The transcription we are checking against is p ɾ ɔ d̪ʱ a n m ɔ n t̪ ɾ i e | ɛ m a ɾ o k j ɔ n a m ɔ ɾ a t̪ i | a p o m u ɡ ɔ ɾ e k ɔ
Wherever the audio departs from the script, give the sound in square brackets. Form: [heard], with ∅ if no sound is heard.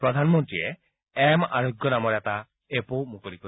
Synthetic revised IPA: p ɾ ɔ d̪ʱ a n m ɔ n t̪ ɾ i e | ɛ m a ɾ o [ɡ] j ɔ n a m ɔ ɾ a t̪ [a] | [e] p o m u [k] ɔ ɾ [i] k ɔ